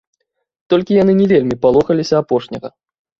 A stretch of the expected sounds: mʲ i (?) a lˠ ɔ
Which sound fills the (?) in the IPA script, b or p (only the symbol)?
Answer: p